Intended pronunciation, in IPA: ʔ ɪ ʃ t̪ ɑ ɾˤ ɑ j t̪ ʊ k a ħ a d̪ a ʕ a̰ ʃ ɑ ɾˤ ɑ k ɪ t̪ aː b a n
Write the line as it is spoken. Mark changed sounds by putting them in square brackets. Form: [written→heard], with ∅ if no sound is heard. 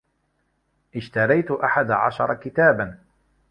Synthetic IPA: ʔ ɪ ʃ t̪ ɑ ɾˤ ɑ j t̪ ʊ [k→ʔ] a ħ a d̪ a ʕ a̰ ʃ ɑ ɾˤ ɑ k ɪ t̪ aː b a n

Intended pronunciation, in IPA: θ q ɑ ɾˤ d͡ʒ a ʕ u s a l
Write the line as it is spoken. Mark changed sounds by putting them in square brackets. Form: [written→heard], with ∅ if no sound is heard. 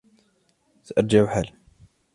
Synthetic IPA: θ [q→ʔ] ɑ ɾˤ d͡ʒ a ʕ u [s→ħ] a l

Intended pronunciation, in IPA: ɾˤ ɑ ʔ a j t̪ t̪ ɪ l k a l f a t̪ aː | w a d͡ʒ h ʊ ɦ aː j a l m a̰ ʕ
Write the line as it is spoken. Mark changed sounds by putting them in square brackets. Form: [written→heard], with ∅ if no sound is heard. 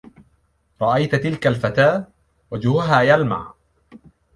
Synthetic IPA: ɾˤ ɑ ʔ a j t̪ t̪ ɪ l k a l f a t̪ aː | w a d͡ʒ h ʊ ɦ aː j a l m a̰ ʕ

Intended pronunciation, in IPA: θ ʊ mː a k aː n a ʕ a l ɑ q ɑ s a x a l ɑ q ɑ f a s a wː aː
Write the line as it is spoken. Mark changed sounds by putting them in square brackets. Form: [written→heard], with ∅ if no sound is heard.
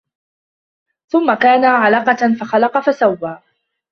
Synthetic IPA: θ ʊ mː a k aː n a ʕ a l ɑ q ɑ [s→f] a x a l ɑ q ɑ f a s a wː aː

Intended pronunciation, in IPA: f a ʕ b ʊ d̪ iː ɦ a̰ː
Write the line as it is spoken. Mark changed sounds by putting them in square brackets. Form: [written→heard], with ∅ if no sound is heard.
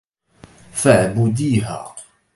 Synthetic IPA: f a ʕ b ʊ d̪ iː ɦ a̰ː

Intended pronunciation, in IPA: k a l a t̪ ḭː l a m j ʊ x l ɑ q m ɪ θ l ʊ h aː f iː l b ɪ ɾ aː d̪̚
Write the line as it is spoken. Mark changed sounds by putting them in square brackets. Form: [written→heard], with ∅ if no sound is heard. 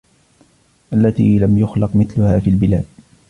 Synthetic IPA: [k→ʔ] a [l→lː] a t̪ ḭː l a m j ʊ x l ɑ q m ɪ θ l ʊ h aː f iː l b ɪ [ɾ→l] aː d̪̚

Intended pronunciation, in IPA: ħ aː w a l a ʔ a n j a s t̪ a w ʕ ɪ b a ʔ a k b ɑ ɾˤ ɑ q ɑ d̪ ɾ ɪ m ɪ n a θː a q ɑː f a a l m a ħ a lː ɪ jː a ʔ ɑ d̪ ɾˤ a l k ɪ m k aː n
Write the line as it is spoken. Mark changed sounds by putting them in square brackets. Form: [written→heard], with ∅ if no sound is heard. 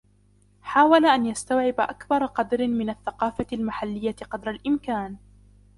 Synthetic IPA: ħ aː w a l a ʔ a n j a s t̪ a w ʕ ɪ b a ʔ a k b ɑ ɾˤ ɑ q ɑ d̪ ɾ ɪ m ɪ n a θː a q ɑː f a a l m a ħ a lː ɪ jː a [ʔ→q] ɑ d̪ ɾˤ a l [k→ʔ] ɪ m k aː n

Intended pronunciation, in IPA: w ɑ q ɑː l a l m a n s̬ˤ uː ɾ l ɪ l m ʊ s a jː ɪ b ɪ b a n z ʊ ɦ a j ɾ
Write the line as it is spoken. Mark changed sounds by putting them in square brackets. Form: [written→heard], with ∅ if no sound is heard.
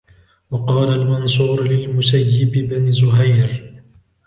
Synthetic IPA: w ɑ q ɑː l a l m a n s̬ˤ uː ɾ l ɪ l m ʊ s a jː ɪ b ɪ b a n z ʊ ɦ a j ɾ

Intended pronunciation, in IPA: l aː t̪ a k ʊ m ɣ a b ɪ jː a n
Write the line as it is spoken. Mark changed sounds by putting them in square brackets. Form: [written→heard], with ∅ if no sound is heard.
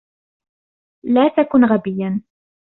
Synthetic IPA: l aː t̪ a k ʊ [m→n] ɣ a b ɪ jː a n

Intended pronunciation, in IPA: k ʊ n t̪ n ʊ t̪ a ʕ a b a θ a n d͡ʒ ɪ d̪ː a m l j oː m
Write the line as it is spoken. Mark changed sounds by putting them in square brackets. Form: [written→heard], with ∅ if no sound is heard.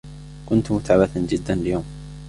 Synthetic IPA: k ʊ n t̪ [n→m] ʊ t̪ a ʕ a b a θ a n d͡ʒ ɪ d̪ː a [m→n] l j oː m

